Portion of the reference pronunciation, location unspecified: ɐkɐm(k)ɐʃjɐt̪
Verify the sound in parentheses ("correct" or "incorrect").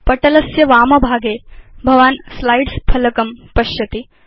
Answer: incorrect